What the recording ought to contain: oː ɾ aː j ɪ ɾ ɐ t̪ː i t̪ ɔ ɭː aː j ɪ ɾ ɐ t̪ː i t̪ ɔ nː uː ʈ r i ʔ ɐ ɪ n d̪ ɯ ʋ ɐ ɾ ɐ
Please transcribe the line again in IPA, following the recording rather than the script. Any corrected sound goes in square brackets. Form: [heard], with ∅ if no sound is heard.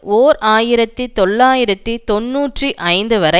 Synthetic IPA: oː ɾ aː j ɪ ɾ ɐ t̪ː i t̪ ɔ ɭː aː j ɪ ɾ ɐ t̪ː i t̪ ɔ nː uː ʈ r i ʔ ɐ ɪ n d̪ ɯ ʋ ɐ ɾ ɐ

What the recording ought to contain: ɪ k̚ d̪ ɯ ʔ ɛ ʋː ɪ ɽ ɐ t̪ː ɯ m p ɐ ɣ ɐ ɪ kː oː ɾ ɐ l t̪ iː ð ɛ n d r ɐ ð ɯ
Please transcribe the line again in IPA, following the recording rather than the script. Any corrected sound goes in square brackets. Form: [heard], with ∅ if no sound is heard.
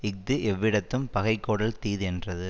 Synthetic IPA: ɪ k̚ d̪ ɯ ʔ ɛ ʋː ɪ ɽ ɐ t̪ː ɯ m p ɐ ɣ ɐ ɪ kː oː [ɽ] ɐ l t̪ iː ð ɛ n d r ɐ ð ɯ

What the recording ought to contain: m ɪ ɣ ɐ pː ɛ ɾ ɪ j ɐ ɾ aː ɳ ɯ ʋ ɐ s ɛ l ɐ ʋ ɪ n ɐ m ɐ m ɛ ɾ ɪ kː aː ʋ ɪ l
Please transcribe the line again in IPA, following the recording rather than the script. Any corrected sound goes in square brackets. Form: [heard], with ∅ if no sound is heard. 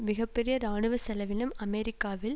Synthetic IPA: m ɪ ɣ ɐ pː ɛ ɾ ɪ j ɐ ɾ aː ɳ ɯ ʋ ɐ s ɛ l ɐ ʋ ɪ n ɐ m ɐ m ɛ ɾ ɪ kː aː ʋ ɪ l

